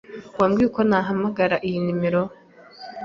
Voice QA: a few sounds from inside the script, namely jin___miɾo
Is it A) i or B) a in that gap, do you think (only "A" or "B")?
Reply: A